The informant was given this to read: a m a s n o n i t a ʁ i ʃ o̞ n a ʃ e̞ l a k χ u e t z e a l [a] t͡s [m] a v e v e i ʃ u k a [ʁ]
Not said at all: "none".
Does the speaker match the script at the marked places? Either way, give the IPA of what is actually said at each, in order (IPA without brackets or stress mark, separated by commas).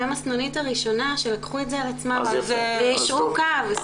a, m, v